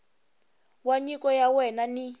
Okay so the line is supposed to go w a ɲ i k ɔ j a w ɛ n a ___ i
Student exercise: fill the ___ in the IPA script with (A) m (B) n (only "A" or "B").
B